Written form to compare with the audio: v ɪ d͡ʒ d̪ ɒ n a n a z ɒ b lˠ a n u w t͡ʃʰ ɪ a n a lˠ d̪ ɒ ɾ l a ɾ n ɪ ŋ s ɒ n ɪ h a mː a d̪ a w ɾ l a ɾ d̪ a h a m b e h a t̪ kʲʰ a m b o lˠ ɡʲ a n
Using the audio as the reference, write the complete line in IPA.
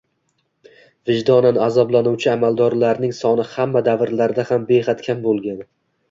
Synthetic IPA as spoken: v ɪ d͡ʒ d̪ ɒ n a n a z ɒ b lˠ a n u w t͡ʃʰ ɪ a m a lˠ d̪ ɒ ɾ l a ɾ n ɪ ŋ s ɒ n ɪ h a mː a d̪ a v ɾ l a ɾ d̪ a h a m b e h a t̪ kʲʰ a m b o lˠ ɡʲ a n

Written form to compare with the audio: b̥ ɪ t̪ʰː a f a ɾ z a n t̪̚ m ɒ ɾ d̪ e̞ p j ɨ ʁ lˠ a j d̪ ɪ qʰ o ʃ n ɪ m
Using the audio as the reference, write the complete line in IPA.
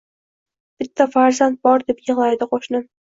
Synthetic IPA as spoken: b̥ ɪ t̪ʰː a f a ɾ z a n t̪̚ b ɒ ɾ d̪ e̞ p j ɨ ʁ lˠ a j d̪ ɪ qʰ o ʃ n ɪ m

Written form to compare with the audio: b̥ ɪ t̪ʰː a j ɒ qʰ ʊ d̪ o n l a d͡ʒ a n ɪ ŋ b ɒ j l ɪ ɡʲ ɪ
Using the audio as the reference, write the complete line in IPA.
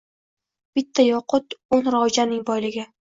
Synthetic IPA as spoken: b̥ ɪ t̪ʰː a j ɒ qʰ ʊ t̪ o n ɾ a d͡ʒ a n ɪ ŋ b ɒ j l ɪ ɡʲ ɪ

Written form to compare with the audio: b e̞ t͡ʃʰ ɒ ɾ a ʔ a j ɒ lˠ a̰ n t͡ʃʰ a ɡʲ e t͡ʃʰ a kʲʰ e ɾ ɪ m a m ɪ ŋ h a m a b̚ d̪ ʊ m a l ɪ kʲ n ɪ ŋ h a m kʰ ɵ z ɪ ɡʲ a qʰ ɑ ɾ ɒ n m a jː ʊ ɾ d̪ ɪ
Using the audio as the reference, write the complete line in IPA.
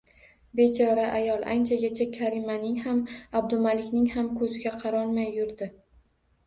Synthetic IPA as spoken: b e̞ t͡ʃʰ ɒ ɾ a ʔ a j ɒ lˠ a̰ n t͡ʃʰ a ɡʲ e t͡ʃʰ a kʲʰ a ɾ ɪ m a n ɪ ŋ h a m a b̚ d̪ ʊ m a l ɪ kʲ n ɪ ŋ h a m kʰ ɵ z ɪ ɡʲ a qʰ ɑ ɾ ɒ n m a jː ʊ ɾ d̪ ɪ

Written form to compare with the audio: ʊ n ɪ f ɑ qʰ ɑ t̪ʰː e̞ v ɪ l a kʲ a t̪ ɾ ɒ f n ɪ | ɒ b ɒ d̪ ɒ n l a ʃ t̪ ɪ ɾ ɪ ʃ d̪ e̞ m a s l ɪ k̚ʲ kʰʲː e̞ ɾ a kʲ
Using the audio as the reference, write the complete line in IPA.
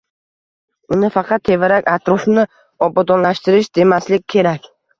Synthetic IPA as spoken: ʊ n ɪ f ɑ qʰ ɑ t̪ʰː e̞ v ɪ ɾ a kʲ a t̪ ɾ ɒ f n ɪ | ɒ b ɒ d̪ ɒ n l a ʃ t̪ ɪ ɾ ɪ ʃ d̪ e̞ m a s l ɪ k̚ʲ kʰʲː e̞ ɾ a kʲ

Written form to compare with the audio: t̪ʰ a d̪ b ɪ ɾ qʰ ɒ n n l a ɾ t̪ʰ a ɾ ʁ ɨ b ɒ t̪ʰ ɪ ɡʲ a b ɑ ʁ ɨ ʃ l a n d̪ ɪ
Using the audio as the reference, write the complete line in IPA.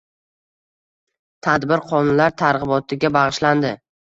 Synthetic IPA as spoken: t̪ʰ a d̪ b ɪ ɾ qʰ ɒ n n l a ɾ t̪ʰ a ɾ ʁ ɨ b ɒ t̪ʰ ɪ ɡʲ a b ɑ ʁ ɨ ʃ l a n d̪ ɪ

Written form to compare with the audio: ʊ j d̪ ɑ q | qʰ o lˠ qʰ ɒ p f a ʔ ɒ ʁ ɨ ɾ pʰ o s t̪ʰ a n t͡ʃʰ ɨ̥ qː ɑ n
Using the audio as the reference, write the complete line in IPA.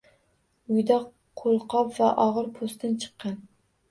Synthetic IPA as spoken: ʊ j d̪ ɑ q | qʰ o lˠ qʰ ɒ p v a ʔ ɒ ʁ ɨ ɾ pʰ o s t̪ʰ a n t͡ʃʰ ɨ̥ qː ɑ n

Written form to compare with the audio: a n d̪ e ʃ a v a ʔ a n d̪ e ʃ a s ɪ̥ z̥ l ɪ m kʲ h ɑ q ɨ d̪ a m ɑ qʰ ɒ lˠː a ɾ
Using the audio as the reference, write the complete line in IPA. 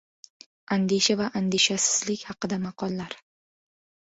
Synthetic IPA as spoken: a n d̪ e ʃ a v a ʔ a n d̪ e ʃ a s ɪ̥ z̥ l ɪ kʲ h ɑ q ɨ d̪ a m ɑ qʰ ɒ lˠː a ɾ

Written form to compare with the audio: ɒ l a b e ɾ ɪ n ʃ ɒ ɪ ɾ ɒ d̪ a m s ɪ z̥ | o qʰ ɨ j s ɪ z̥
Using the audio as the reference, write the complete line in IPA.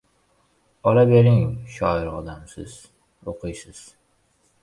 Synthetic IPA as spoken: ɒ l a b e ɾ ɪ ŋ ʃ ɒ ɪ ɾ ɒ d̪ a m s ɪ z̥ | o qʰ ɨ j s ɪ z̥

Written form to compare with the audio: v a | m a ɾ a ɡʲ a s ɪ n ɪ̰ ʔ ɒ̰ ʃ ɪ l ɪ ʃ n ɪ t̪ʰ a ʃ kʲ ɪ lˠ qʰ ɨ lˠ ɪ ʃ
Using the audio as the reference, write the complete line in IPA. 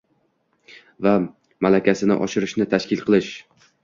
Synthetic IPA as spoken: v a | m a l a kʲ a s ɪ n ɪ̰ ʔ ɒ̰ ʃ ɪ ɾ ɪ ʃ n ɪ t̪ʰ a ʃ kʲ ɪ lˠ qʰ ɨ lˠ ɪ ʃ

